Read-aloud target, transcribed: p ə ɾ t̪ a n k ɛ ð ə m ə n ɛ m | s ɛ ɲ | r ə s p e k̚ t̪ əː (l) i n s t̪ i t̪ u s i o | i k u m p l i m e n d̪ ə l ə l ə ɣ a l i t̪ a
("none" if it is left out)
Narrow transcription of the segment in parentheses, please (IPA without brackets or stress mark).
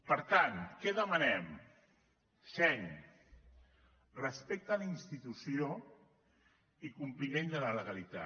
l